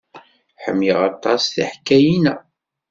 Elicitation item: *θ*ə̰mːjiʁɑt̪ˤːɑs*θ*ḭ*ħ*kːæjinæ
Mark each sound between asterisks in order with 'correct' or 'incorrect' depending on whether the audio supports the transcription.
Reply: incorrect, correct, correct

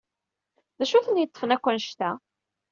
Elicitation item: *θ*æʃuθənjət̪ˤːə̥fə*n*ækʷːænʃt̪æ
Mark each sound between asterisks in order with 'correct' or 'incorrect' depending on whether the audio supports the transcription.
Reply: incorrect, correct

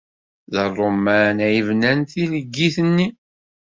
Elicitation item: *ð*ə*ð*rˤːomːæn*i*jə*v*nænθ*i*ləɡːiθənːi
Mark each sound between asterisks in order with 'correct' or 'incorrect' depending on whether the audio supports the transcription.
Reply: correct, incorrect, incorrect, correct, correct

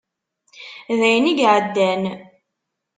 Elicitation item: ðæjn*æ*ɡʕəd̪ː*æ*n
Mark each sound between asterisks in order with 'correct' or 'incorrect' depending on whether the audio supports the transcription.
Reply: incorrect, correct

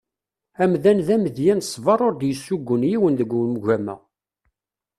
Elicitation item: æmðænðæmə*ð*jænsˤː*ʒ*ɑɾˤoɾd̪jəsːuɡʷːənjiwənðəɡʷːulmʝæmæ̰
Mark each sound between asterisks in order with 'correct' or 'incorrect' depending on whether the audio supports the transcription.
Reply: correct, incorrect

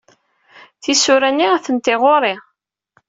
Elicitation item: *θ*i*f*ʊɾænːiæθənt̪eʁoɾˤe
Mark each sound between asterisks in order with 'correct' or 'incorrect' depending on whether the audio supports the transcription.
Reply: correct, incorrect

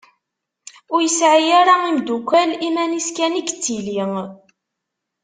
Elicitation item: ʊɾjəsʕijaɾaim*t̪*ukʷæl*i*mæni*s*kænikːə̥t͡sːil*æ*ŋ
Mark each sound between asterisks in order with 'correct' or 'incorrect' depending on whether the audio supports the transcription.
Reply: incorrect, correct, correct, incorrect

